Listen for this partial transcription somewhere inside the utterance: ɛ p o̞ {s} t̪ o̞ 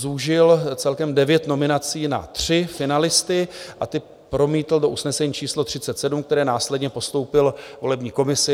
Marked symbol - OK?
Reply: yes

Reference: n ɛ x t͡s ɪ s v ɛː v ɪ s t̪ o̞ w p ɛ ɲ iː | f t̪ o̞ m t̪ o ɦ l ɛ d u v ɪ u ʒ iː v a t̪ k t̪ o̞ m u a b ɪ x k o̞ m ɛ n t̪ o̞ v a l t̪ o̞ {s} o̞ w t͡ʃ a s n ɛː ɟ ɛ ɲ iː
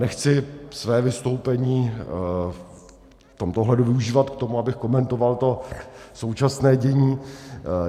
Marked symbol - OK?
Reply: yes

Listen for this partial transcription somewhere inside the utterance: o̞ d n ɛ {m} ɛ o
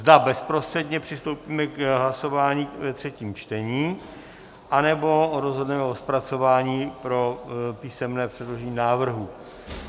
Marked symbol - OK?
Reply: yes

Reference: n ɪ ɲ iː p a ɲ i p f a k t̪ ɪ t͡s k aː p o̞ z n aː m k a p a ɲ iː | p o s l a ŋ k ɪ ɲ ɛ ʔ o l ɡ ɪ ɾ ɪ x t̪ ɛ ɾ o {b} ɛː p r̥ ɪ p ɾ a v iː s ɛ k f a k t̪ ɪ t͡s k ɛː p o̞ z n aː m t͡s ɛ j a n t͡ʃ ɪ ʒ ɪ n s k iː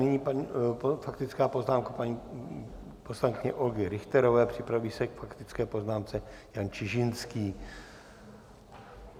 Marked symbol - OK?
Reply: no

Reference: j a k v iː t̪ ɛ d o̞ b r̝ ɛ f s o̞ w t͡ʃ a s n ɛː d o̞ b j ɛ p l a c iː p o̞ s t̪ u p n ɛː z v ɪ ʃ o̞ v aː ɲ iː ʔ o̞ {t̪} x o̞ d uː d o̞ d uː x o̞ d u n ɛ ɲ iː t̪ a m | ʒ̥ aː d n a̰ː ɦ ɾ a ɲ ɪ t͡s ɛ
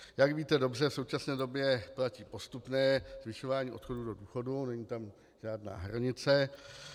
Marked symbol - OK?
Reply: yes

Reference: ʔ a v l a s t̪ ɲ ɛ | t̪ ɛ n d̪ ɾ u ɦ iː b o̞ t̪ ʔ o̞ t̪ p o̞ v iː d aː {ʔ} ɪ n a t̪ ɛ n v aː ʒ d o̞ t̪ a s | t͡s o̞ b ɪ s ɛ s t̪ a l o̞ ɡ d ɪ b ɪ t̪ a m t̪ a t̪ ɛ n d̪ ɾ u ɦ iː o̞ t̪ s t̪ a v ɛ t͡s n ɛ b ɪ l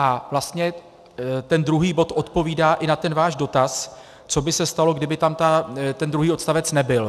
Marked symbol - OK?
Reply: yes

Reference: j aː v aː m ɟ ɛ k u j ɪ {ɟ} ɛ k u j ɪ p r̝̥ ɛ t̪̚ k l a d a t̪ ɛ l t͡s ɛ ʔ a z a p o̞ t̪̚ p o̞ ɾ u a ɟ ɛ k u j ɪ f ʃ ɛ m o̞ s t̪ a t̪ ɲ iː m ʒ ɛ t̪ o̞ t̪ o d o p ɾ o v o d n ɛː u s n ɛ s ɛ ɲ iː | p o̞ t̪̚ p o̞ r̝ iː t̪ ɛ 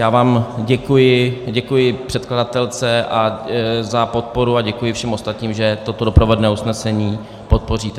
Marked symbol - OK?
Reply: yes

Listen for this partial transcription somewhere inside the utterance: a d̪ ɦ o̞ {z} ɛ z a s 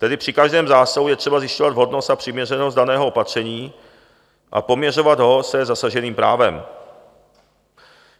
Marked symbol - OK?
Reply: no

